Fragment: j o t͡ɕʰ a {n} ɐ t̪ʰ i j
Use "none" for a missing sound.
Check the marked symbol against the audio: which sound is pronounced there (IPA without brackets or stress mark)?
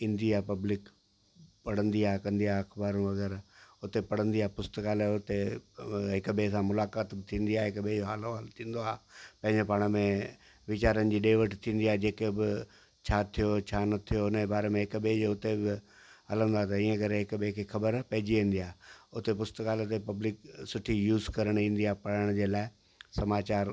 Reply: n